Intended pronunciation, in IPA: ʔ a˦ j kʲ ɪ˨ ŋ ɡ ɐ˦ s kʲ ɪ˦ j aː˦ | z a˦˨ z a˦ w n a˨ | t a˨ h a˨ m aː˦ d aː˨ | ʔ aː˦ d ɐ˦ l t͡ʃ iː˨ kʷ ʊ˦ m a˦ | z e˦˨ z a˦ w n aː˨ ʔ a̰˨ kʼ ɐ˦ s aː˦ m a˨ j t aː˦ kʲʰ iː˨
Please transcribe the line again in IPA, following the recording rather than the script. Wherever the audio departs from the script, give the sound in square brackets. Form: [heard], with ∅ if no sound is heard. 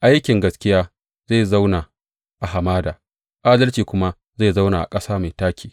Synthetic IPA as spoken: ʔ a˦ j kʲ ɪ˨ ŋ ɡ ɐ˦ s kʲ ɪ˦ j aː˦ | z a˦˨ z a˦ w n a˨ | [ʔ] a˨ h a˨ m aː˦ d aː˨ | ʔ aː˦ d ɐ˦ l t͡ʃ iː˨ kʷ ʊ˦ m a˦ | z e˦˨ z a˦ w n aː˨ ʔ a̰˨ kʼ ɐ˦ s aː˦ m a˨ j t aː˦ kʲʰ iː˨

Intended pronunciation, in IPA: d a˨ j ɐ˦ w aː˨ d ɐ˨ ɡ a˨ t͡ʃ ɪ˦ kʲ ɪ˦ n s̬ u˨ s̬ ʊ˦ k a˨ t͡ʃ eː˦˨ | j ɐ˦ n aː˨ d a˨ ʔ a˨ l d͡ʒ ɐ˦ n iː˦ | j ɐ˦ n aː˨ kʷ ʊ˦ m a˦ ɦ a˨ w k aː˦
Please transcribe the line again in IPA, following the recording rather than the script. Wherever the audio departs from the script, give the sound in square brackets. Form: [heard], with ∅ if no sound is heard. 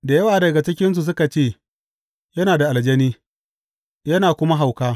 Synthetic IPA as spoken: d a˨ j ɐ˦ w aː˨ d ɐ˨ ɡ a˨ t͡ʃ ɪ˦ kʲ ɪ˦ n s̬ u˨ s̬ ʊ˦ k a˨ t͡ʃ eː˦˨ | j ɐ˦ n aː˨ d a˨ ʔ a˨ l d͡ʒ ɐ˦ n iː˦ | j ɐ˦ n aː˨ kʷ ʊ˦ m a˦ ɦ a˨ w k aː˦

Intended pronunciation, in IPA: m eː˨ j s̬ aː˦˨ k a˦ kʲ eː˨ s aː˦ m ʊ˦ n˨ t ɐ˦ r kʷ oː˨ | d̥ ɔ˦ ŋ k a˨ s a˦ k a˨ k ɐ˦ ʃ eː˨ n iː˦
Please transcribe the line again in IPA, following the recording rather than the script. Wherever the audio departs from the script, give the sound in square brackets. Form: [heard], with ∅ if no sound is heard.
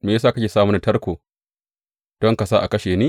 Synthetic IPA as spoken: m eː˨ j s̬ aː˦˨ k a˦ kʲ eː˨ s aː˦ m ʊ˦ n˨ t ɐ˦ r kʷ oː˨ | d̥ ɔ˦ ŋ k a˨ s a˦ [ʔ] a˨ k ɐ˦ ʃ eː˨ n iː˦

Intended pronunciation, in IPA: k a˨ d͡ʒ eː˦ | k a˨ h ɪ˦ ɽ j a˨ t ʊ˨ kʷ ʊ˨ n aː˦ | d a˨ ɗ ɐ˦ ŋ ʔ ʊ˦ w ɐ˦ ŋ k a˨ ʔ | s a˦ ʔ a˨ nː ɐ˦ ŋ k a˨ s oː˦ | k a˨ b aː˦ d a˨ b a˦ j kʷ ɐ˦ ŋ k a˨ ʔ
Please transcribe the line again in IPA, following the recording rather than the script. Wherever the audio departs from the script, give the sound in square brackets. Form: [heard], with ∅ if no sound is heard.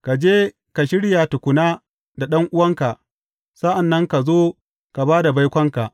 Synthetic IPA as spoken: k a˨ d͡ʒ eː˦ | k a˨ [ʃ] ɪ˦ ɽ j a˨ t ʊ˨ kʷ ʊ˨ n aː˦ | d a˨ ɗ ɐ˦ ŋ ʔ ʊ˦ w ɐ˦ ŋ k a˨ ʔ | s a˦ ʔ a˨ nː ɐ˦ ŋ k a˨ [z] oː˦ | k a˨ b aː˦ d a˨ b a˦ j kʷ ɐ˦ ŋ k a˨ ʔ

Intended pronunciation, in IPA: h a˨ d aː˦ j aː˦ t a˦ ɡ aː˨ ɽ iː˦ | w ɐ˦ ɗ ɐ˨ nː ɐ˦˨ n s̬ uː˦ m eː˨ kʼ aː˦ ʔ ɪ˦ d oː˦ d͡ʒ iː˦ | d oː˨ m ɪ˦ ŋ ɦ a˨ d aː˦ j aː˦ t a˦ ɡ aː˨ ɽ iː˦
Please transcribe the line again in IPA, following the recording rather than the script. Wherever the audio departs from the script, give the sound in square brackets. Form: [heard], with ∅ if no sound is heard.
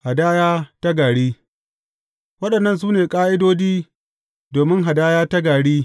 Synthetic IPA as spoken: h a˨ d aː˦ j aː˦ t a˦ ɡ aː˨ ɽ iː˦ | w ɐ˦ ɗ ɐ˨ nː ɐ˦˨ n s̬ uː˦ [n] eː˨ kʼ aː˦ ʔ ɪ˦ d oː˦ d͡ʒ iː˦ | d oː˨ m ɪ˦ ŋ ɦ a˨ d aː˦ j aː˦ t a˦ ɡ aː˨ ɽ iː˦

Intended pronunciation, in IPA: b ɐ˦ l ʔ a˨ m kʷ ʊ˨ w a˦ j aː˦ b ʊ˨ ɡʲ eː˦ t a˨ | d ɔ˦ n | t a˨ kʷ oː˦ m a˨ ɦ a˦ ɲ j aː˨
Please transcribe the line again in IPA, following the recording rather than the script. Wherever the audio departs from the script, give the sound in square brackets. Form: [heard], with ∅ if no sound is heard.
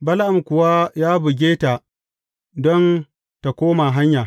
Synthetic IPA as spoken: b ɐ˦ l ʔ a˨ m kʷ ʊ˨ w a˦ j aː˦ b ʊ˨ ɡʲ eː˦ t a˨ | d ɔ˦ n | t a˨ kʷ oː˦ m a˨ ɦ a˦ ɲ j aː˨

